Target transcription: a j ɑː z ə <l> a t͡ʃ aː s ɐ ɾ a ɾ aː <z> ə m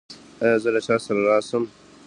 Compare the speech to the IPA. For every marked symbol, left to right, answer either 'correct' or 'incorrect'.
correct, incorrect: s

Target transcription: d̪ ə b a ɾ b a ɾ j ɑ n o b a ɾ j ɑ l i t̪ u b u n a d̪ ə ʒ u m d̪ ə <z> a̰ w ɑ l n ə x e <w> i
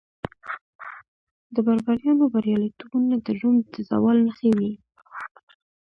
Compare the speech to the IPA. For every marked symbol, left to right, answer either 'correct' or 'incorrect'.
correct, correct

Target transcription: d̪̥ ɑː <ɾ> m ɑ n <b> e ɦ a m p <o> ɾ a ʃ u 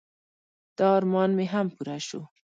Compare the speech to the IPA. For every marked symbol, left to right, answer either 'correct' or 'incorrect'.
correct, incorrect: m, incorrect: u

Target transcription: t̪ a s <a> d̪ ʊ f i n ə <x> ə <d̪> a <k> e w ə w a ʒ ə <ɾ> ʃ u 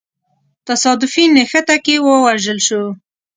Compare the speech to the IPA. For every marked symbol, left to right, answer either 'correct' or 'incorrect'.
incorrect: ɑ, correct, incorrect: t̪, correct, incorrect: l

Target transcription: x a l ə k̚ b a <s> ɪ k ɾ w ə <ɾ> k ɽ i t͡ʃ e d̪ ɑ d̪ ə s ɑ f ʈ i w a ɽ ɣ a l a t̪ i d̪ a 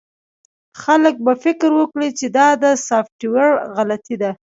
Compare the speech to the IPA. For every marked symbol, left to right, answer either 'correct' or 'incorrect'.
incorrect: f, incorrect: none

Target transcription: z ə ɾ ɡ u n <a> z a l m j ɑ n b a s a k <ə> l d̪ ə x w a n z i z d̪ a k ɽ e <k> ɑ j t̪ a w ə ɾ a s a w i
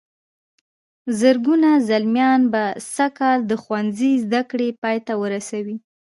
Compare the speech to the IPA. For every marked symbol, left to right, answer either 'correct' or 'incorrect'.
correct, incorrect: ɑ, incorrect: p

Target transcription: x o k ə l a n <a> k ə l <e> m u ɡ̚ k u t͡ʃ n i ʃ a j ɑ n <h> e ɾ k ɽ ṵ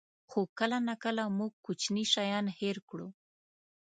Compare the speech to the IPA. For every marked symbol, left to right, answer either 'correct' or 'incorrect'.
correct, incorrect: a, correct

